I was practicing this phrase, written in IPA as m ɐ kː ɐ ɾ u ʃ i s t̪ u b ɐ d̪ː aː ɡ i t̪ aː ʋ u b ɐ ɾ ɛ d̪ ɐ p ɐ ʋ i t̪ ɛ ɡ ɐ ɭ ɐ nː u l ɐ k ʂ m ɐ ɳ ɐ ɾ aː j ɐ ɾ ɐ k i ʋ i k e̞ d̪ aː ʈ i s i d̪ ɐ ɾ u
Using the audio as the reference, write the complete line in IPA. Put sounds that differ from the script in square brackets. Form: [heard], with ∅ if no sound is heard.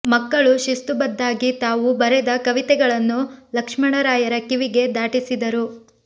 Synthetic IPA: m ɐ kː ɐ [ɭ] u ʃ i s t̪ u b ɐ d̪ː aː ɡ i t̪ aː ʋ u b ɐ ɾ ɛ d̪ ɐ [k] ɐ ʋ i t̪ ɛ ɡ ɐ ɭ ɐ nː u l ɐ k ʂ m ɐ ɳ ɐ ɾ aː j ɐ ɾ ɐ k i ʋ i [ɡ] e̞ d̪ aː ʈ i s i d̪ ɐ ɾ u